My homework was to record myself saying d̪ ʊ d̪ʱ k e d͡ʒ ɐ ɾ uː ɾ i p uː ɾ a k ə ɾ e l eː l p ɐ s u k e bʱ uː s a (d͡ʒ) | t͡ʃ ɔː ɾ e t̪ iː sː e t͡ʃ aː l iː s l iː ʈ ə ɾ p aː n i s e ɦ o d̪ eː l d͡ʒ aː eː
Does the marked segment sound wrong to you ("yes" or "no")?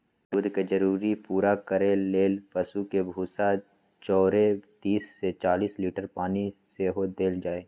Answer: yes